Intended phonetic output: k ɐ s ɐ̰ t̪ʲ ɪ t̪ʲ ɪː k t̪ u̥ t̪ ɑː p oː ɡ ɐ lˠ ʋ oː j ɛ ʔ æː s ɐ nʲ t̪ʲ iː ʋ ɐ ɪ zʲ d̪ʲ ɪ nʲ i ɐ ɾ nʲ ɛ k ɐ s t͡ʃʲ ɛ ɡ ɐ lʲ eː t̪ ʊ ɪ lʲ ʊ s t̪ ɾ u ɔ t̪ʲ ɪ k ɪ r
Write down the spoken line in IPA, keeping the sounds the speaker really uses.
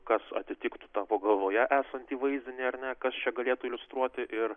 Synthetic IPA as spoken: k ɐ s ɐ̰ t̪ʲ ɪ t̪ʲ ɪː k t̪ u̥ t̪ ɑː p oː ɡ ɐ lˠ ʋ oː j ɛ ʔ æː s ɐ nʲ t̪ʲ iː ʋ ɐ ɪ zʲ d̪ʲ ɪ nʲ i ɐ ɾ nʲ ɛ k ɐ s t͡ʃʲ ɛ ɡ ɐ lʲ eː t̪ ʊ ɪ lʲ ʊ s t̪ ɾ u ɔ t̪ʲ ɪ ʔ ɪ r